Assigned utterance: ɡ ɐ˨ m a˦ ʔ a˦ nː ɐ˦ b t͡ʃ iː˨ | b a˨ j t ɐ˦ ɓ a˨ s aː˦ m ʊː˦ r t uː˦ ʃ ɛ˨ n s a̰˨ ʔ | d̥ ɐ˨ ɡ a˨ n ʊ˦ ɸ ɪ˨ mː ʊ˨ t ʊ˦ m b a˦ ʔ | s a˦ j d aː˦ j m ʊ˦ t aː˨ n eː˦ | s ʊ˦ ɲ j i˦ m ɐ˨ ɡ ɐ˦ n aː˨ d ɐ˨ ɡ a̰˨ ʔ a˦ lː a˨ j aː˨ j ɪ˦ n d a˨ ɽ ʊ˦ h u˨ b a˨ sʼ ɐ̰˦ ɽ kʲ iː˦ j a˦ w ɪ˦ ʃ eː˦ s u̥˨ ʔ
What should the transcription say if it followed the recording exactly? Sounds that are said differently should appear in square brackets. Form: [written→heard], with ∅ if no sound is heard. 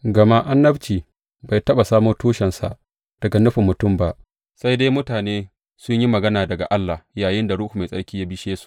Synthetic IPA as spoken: ɡ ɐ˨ m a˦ ʔ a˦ nː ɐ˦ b t͡ʃ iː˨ | b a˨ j t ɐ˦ ɓ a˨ s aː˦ m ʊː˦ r t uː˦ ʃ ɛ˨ n s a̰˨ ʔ | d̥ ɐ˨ ɡ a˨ n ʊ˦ ɸ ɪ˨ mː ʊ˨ t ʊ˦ m b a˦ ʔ | s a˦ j d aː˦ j m ʊ˦ t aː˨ n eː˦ | s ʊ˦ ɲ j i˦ m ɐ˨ ɡ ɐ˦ n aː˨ d ɐ˨ ɡ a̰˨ ʔ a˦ lː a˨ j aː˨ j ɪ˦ n d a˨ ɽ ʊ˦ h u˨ [b→m] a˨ sʼ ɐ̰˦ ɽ kʲ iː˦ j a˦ [w→b] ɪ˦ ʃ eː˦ s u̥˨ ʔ